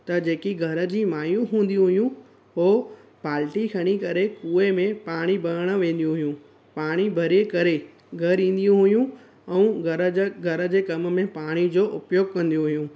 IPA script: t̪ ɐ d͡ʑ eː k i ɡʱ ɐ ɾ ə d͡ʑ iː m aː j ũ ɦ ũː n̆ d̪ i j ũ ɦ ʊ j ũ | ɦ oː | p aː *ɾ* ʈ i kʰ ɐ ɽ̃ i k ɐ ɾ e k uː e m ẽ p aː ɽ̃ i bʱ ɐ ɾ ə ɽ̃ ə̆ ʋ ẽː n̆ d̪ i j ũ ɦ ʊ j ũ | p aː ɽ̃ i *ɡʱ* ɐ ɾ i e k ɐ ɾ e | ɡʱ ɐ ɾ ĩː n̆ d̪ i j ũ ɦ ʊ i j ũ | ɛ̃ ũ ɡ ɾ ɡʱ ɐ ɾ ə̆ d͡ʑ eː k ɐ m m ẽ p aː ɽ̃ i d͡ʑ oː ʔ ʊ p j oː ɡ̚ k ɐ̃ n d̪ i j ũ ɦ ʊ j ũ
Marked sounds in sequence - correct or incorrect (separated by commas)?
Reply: incorrect, incorrect